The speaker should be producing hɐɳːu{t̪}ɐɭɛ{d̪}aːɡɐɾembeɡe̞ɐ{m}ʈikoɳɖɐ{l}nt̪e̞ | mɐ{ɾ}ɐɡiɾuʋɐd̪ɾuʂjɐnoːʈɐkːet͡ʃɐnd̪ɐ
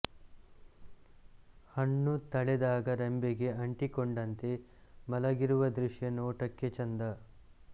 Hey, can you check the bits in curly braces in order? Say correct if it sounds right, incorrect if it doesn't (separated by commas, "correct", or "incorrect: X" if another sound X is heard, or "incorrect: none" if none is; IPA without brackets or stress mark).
correct, correct, incorrect: ɳ, incorrect: none, incorrect: l